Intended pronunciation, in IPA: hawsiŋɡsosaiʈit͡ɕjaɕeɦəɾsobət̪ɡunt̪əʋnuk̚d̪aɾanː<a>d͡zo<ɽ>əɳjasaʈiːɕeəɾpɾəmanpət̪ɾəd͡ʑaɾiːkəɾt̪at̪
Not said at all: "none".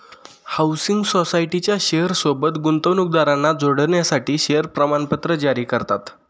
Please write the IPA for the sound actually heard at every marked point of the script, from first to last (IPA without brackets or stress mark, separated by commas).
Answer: a, ɽ